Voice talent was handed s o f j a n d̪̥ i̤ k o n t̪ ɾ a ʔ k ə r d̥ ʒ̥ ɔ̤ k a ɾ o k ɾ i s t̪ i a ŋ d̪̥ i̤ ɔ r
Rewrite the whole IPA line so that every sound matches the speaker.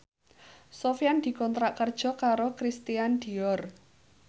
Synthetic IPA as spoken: s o f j a n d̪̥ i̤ k ɔ n t̪ ɾ a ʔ k ə r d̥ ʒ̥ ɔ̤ k a ɾ o k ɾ i s t̪ i a n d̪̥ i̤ ɔ r